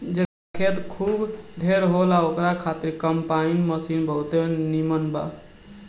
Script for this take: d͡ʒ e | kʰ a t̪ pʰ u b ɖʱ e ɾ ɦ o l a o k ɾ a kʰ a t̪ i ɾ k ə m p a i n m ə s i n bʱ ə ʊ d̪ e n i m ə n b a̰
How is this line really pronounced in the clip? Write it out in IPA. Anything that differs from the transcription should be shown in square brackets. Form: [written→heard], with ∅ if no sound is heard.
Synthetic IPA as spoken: d͡ʒ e | kʰ [a→e] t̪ [pʰ→kʰ] u b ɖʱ e ɾ ɦ o l a o k ɾ a kʰ a t̪ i ɾ k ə m p a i n m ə s i n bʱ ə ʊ [d̪→t̪] e n i m ə n b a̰